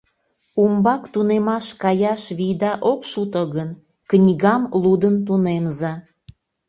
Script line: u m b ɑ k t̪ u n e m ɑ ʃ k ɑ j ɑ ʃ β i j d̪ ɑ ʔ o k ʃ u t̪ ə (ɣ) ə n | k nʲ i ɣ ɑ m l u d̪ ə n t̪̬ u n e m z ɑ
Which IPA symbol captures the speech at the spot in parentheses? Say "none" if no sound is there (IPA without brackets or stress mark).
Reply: ɣ